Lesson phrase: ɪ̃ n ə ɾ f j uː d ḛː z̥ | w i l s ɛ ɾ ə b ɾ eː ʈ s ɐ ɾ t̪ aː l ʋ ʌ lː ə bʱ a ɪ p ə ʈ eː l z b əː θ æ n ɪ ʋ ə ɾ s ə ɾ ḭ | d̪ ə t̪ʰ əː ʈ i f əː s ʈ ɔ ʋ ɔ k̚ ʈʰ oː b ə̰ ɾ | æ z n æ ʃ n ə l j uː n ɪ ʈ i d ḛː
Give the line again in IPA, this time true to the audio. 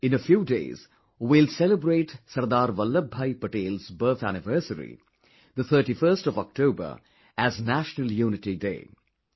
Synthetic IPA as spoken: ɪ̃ n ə f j uː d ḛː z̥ | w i l s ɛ l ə b ɾ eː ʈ s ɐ ɾ d̪ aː ɾ ʋ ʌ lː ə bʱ a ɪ p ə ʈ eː l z b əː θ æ n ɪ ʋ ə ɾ s ə ɾ ḭ | d̪ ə t̪ʰ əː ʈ i f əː s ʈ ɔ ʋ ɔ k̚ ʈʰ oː b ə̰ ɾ | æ z n æ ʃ n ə l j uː n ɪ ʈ i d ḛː